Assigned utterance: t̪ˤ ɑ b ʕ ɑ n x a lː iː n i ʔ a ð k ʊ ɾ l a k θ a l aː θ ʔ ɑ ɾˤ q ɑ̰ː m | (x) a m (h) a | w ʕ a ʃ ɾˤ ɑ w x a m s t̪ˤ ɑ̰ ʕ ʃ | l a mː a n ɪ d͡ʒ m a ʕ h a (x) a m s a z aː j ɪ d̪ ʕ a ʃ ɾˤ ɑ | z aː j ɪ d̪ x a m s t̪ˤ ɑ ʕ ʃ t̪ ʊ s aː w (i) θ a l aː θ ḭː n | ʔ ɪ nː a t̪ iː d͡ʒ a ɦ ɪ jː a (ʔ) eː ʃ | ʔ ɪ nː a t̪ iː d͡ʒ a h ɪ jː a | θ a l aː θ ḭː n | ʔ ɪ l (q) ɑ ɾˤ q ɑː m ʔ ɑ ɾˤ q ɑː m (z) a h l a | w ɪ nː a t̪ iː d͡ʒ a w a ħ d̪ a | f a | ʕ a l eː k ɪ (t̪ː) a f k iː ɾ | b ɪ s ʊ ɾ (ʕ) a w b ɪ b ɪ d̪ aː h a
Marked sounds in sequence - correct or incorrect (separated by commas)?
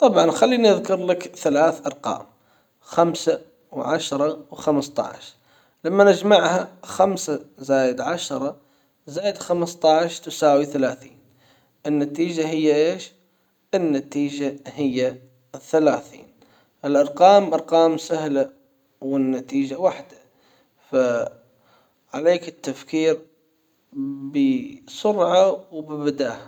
correct, incorrect, correct, correct, correct, incorrect, incorrect, correct, correct